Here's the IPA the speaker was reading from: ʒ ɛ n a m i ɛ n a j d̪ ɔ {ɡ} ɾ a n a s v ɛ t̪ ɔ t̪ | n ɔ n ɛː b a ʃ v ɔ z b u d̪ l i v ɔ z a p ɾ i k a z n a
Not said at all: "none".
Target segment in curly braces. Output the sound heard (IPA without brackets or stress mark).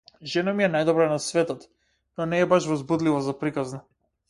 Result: b